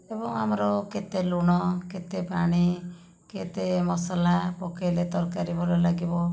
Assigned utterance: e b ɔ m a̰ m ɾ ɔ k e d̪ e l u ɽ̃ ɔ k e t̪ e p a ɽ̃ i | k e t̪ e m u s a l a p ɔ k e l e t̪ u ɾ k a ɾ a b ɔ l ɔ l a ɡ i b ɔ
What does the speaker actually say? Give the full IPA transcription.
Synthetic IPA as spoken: e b ɔ ŋ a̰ m ɾ ɔ k e t̪ e l u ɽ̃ ɔ k e t̪ e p a ɽ̃ i | k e t̪ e m ɔ s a l a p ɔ k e l e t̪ ɔ ɾ k a ɾ i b ɔ l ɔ l a ɡ i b ɔ